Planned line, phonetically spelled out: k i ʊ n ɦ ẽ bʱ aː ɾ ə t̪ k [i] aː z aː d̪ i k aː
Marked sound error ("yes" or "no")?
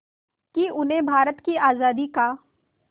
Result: no